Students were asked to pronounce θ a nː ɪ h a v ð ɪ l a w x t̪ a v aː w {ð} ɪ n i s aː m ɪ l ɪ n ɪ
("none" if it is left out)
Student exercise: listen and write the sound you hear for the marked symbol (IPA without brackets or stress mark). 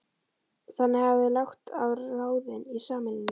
ð